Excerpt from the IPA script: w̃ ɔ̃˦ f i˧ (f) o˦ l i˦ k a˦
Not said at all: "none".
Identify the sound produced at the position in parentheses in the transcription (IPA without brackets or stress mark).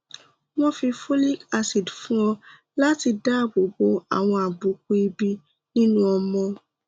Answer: f